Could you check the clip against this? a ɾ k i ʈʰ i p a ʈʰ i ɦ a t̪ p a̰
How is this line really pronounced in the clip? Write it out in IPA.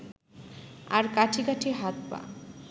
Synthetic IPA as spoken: a ɾ k a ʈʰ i k a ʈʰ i ɦ a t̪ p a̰